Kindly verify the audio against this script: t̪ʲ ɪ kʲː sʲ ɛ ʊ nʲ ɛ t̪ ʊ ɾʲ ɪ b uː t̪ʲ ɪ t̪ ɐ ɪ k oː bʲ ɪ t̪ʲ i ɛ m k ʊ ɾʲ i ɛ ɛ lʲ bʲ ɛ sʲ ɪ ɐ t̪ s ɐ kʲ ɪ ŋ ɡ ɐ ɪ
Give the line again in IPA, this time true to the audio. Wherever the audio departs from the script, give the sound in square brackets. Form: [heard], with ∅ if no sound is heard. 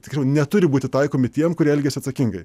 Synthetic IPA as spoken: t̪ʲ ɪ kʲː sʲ ɛ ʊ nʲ ɛ t̪ ʊ ɾʲ ɪ b uː t̪ʲ ɪ t̪ ɐ ɪ k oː [mʲ] ɪ t̪ʲ i ɛ m k ʊ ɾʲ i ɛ ɛ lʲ [ɡʲ] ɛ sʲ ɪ ɐ t̪ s ɐ kʲ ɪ ŋ ɡ ɐ ɪ